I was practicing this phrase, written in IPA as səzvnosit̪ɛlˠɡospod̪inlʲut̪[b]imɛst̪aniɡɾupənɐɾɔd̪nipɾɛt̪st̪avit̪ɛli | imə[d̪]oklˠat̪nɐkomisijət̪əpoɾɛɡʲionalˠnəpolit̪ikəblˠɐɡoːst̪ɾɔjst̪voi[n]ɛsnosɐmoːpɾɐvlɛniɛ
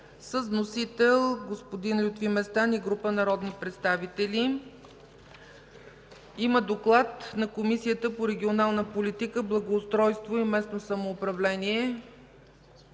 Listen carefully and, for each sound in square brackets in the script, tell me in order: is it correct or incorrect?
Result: incorrect: v, correct, incorrect: m

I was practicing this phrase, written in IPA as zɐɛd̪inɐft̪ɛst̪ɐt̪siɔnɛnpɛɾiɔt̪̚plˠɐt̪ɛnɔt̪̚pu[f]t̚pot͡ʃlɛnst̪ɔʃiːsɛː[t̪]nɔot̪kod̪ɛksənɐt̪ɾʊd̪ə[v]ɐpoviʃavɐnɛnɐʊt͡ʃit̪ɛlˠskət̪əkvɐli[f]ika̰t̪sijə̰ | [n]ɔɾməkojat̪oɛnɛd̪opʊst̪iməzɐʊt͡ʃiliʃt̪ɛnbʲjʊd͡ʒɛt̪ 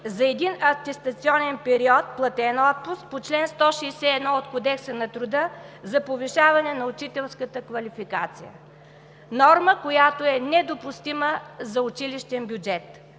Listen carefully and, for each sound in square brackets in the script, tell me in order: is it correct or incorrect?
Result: incorrect: s, incorrect: d̪, incorrect: z, correct, correct

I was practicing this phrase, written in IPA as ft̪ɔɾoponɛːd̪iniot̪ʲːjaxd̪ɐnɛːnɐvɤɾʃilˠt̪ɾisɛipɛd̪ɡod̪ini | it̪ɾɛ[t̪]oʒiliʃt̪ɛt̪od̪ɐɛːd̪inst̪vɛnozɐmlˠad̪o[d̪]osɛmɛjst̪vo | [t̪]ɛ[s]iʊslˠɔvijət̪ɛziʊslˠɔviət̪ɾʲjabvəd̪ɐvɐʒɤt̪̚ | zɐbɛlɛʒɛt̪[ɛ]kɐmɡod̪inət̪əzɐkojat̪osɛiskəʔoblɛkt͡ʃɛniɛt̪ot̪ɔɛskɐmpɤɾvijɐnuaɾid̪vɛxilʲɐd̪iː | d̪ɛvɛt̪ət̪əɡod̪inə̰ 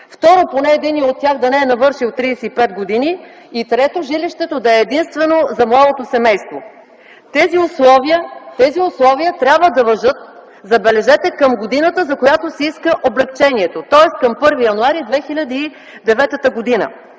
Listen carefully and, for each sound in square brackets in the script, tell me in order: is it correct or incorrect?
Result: correct, incorrect: t̪, correct, incorrect: z, correct

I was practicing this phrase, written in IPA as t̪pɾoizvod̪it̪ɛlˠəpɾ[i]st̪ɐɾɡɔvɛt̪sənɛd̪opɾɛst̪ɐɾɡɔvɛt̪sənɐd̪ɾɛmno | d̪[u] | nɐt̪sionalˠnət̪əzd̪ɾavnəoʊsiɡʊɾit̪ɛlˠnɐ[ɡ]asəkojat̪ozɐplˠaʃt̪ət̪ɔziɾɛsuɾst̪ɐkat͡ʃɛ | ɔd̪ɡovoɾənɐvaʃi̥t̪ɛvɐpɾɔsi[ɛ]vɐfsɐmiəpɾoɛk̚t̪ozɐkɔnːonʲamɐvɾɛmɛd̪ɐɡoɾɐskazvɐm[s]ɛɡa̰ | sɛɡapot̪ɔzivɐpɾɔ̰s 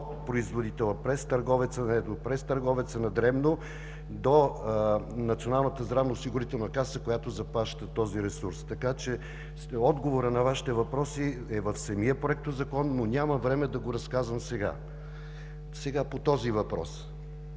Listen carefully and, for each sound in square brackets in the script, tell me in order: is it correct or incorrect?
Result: incorrect: ɛ, incorrect: o, incorrect: k, correct, correct

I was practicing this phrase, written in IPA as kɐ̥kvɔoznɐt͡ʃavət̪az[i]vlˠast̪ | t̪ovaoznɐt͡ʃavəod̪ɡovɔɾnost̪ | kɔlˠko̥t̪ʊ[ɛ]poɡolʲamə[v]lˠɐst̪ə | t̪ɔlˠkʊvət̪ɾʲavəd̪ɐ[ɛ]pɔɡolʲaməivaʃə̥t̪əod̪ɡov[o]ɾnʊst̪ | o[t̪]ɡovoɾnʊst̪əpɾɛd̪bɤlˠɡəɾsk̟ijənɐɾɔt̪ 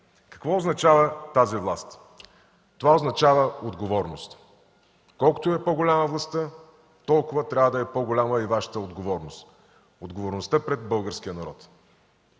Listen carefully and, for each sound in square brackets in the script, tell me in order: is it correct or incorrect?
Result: correct, correct, correct, correct, incorrect: ɔ, incorrect: d̪

